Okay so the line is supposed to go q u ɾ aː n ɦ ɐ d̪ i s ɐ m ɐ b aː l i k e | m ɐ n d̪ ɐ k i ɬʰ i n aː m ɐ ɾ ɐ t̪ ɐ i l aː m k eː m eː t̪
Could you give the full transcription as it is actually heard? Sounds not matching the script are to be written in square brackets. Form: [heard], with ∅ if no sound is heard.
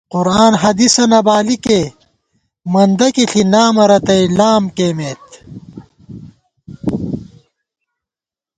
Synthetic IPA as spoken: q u ɾ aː n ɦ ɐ d̪ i s ɐ [n] ɐ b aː l i k e | m ɐ n d̪ ɐ k i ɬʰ i n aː m ɐ ɾ ɐ t̪ ɐ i l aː m k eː m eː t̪